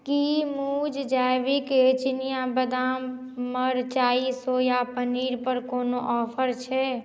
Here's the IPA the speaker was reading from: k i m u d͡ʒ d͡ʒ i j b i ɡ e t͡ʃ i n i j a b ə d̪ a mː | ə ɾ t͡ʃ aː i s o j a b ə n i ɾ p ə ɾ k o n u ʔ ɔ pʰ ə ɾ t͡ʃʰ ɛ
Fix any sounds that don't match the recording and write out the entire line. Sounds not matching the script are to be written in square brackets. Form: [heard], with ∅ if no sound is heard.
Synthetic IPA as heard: k i m u d͡ʒ d͡ʒ [a] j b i [k] e t͡ʃ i n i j a b ə d̪ a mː | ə ɾ t͡ʃ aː i s o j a [p] ə n i ɾ p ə ɾ k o n [o] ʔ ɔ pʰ ə ɾ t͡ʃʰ ɛ